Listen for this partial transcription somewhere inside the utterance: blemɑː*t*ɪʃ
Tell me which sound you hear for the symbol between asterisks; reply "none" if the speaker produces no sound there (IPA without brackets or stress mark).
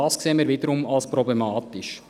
t